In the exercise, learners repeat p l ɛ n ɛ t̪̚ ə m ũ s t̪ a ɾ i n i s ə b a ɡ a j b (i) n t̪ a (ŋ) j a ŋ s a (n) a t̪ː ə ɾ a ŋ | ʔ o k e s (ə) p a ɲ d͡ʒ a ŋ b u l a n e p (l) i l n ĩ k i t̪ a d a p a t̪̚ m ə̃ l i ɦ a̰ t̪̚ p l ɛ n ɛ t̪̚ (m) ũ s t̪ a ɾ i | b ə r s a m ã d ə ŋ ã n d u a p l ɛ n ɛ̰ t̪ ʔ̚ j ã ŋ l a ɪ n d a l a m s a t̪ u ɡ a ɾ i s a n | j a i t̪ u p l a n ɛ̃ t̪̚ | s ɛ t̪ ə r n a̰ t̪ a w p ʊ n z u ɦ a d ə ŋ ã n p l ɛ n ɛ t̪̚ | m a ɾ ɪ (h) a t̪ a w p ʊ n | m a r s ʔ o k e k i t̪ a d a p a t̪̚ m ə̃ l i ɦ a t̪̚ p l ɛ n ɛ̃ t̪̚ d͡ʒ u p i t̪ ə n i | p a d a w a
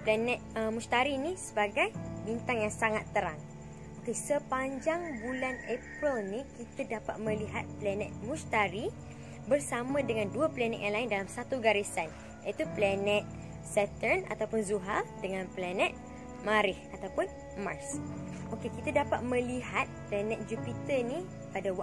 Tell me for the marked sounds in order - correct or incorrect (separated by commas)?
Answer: correct, correct, incorrect, correct, incorrect, correct, correct